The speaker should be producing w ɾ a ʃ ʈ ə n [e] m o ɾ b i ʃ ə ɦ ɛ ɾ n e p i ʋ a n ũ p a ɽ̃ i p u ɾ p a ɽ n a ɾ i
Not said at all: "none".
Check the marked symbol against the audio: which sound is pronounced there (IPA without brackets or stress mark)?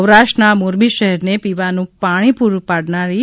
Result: a